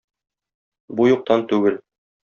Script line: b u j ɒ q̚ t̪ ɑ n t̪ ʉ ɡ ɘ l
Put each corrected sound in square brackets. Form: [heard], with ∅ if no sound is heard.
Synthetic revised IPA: b u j [u] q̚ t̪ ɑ n t̪ ʉ ɡ ɘ l